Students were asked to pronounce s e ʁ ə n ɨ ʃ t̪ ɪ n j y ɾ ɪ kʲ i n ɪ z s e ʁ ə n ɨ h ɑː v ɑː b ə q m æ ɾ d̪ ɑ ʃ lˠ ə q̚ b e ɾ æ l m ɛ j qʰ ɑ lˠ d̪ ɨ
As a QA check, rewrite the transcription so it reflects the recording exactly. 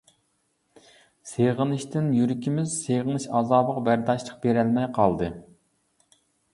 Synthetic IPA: s e ʁ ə n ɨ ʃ t̪ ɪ n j y ɾ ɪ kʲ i m ɪ z s e ʁ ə n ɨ ʃ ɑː z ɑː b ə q b æ ɾ d̪ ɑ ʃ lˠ ə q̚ b e ɾ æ l m ɛ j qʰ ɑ lˠ d̪ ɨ